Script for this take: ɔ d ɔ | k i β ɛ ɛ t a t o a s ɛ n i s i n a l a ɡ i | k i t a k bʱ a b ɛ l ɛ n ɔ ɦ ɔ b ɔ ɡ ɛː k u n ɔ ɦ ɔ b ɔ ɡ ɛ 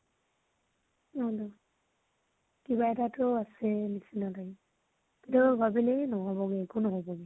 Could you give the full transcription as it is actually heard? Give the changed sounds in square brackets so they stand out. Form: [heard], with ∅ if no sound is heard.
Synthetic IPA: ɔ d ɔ | k i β [a] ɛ t a t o a s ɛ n i s i n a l a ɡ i | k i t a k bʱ a b [i] l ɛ n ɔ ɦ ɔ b ɔ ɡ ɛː k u n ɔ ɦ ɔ b ɔ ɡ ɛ